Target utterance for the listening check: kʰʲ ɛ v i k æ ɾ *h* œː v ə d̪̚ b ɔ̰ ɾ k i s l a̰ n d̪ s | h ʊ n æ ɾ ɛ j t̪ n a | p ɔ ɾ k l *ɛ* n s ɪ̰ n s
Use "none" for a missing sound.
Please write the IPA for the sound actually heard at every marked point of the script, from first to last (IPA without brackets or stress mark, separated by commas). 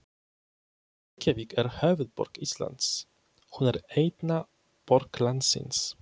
h, a